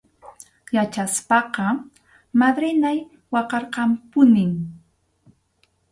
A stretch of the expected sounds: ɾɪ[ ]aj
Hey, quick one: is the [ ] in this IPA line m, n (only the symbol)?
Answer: n